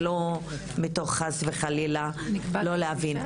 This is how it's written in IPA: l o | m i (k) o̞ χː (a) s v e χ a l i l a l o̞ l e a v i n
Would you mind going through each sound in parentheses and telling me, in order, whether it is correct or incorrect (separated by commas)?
incorrect, correct